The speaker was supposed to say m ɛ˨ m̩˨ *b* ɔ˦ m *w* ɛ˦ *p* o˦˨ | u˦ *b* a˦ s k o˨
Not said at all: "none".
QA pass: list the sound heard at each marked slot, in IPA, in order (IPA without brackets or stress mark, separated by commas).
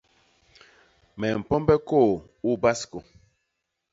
p, b, k, b